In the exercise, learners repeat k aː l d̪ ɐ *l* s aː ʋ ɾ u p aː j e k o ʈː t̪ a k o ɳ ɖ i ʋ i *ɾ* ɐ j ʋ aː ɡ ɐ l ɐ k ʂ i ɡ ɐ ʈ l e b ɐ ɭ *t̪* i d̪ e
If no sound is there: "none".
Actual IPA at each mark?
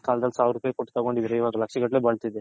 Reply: l, ɾ, t̪

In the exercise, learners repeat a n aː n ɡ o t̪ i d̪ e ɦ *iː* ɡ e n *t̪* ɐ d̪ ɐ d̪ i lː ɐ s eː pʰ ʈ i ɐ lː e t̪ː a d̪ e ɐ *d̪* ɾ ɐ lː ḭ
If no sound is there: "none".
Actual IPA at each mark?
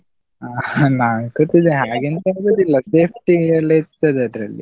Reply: aː, t̪, d̪

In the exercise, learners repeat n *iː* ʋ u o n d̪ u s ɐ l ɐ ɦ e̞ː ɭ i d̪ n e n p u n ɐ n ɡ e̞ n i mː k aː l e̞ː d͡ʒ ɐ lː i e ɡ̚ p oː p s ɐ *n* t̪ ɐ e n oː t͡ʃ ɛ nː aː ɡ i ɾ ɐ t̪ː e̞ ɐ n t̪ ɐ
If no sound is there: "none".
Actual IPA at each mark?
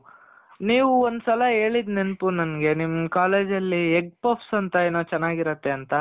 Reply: iː, n

